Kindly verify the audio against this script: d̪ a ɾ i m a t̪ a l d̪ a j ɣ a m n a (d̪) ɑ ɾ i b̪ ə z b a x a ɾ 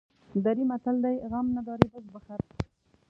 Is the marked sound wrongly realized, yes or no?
no